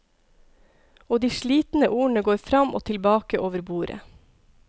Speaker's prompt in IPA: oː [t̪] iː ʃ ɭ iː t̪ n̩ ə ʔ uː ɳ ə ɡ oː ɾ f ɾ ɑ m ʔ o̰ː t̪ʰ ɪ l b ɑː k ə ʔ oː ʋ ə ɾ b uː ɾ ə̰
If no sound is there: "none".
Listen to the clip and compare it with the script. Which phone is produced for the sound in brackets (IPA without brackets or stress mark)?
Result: d̪